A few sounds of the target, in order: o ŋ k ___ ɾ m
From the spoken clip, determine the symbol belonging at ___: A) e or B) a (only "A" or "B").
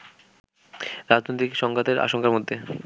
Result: B